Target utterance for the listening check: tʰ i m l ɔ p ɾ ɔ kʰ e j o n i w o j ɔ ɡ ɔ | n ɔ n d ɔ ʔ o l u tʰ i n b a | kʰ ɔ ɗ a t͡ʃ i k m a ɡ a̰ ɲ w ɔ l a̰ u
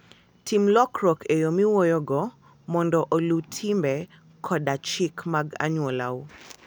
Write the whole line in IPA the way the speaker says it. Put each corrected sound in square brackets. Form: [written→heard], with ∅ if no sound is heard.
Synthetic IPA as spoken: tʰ i m l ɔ [p→k] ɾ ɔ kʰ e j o [n→m] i w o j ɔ ɡ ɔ | [n→m] ɔ n d ɔ ʔ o l u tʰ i [n→m] b [a→ɛ] | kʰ ɔ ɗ a t͡ʃ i k m a ɡ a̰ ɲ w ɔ l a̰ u